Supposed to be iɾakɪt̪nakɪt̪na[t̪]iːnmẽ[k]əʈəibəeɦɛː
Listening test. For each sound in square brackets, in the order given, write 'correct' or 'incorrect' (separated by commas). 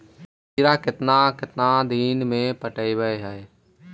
incorrect, incorrect